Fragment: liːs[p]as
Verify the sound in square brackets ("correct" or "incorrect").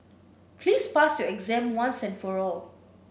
correct